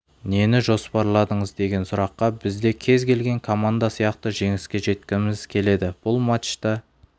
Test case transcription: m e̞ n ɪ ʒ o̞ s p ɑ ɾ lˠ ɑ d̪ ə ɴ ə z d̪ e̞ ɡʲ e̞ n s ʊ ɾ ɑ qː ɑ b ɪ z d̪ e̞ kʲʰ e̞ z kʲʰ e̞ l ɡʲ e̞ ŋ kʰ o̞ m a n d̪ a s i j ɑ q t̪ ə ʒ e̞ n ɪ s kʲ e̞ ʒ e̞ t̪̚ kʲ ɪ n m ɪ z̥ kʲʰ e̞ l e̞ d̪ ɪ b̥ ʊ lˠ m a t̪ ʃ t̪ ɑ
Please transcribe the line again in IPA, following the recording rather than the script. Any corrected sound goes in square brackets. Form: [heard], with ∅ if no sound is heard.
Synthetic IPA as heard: [n] e̞ n ɪ ʒ o̞ s p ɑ ɾ lˠ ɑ d̪ ə ɴ ə z d̪ e̞ ɡʲ e̞ n s ʊ ɾ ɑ qː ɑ b ɪ z d̪ e̞ kʲʰ e̞ z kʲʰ e̞ l ɡʲ e̞ ŋ kʰ o̞ m a n d̪ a s i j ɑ q t̪ ə ʒ e̞ [ŋ] ɪ s kʲ e̞ ʒ e̞ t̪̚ kʲ ɪ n m ɪ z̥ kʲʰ e̞ l e̞ d̪ ɪ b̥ ʊ lˠ m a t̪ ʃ t̪ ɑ

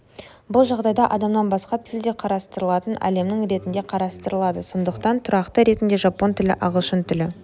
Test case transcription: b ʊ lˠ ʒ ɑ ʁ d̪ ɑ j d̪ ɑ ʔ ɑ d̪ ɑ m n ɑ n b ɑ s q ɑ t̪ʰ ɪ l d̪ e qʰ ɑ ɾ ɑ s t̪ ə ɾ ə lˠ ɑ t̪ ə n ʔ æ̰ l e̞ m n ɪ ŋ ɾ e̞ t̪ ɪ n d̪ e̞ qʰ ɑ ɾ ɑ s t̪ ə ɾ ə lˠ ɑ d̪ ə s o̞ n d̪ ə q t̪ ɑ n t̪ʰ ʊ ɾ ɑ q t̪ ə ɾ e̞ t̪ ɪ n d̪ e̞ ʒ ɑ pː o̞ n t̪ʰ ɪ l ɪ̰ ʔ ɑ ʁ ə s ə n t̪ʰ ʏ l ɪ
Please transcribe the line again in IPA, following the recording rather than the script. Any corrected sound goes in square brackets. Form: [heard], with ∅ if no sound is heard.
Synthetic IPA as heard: b ʊ lˠ ʒ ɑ ʁ d̪ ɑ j d̪ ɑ ʔ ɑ d̪ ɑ m n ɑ n b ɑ s q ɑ t̪ʰ ɪ l d̪ e qʰ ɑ ɾ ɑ s t̪ ə ɾ ə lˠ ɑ t̪ ə n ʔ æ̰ l e̞ m n ɪ ŋ ɾ e̞ t̪ ɪ n d̪ e̞ qʰ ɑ ɾ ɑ s t̪ ə ɾ ə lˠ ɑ d̪ ə s o̞ n d̪ ə q t̪ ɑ n t̪ʰ ʊ ɾ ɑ q t̪ ə ɾ e̞ t̪ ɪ n d̪ e̞ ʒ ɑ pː o̞ n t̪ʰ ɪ l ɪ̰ ʔ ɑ ʁ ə [ʃ] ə n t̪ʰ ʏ l ɪ

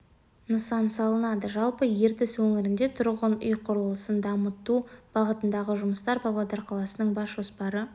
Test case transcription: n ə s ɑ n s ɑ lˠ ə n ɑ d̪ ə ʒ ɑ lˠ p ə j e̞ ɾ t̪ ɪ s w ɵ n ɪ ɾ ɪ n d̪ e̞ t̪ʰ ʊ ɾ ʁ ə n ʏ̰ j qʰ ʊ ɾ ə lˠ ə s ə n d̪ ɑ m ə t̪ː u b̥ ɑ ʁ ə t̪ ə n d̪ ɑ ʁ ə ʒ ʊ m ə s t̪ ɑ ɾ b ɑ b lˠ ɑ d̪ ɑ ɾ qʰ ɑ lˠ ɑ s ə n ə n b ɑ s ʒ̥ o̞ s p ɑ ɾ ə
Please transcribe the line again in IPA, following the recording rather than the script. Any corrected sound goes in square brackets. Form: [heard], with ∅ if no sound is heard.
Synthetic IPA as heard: n ə s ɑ n s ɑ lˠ ə n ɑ d̪ ə ʒ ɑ lˠ p ə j e̞ ɾ t̪ ɪ s w ɵ [ŋ] ɪ ɾ ɪ n d̪ e̞ t̪ʰ ʊ ɾ ʁ ə n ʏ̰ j qʰ ʊ ɾ ə lˠ ə s ə n d̪ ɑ m ə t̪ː u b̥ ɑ ʁ ə t̪ ə n d̪ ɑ ʁ ə ʒ ʊ m ə s t̪ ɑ ɾ b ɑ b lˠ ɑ d̪ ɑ ɾ qʰ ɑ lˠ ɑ s ə n ə [ɴ] b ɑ s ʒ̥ o̞ s p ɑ ɾ ə

